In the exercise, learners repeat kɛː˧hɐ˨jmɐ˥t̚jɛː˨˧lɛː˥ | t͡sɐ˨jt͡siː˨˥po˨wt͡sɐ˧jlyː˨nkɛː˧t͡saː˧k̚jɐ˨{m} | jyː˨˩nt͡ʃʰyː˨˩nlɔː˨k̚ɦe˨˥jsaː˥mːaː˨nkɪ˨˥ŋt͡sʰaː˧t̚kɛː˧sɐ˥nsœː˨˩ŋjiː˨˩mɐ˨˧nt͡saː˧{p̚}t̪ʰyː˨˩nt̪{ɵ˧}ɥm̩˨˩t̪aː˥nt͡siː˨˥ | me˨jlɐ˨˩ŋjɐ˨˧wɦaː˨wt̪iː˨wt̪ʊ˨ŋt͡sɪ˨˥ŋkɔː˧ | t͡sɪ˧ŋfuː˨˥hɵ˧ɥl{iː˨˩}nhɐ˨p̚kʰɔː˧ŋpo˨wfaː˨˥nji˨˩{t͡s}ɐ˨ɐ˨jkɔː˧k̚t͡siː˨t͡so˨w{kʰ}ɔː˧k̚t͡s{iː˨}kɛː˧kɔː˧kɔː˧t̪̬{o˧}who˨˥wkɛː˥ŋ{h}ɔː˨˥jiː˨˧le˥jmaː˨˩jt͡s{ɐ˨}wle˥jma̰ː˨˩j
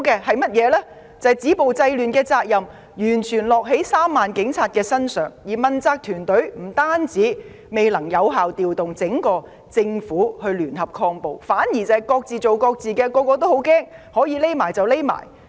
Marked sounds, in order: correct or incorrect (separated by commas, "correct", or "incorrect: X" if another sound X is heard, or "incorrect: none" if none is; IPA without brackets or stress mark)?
correct, incorrect: k̚, incorrect: ɵ˨˥, incorrect: yː˨˩, correct, incorrect: k, correct, incorrect: o˥, correct, correct